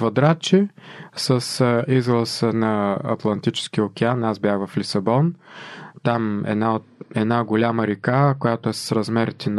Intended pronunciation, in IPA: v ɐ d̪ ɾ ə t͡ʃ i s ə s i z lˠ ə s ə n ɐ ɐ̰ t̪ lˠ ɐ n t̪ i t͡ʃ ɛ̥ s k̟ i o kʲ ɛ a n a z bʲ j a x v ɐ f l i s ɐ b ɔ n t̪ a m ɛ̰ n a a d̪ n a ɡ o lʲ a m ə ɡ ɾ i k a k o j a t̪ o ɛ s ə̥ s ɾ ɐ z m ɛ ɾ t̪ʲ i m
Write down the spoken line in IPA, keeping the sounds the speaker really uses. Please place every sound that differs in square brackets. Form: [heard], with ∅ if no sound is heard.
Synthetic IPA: v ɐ d̪ ɾ [a] t͡ʃ i s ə s i z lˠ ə s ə n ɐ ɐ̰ t̪ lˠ ɐ n t̪ i t͡ʃ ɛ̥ s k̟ i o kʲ ɛ a n a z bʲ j a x v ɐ f l i s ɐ b ɔ n t̪ a m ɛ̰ n a [ɛ] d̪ n a ɡ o lʲ a m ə [∅] ɾ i k a k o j a t̪ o ɛ s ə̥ s ɾ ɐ z m ɛ ɾ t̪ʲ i [n]